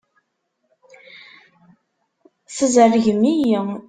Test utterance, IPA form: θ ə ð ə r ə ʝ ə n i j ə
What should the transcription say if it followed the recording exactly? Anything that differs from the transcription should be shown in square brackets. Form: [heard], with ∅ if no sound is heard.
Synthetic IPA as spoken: θ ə [z] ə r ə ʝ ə [m] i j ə